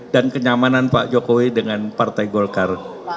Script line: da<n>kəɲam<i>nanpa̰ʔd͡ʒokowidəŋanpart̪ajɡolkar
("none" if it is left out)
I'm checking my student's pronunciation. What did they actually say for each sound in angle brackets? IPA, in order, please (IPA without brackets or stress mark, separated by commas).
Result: n, a